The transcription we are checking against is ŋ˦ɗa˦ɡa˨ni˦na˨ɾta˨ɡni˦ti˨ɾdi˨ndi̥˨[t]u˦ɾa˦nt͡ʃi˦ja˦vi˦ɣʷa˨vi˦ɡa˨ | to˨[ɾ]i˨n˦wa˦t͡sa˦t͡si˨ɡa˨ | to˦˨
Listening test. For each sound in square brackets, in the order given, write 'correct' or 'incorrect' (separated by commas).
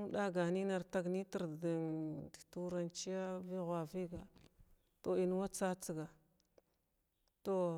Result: correct, incorrect